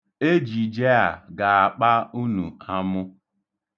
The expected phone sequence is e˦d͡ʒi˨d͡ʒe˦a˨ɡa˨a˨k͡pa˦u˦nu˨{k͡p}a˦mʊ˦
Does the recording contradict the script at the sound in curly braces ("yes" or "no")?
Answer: yes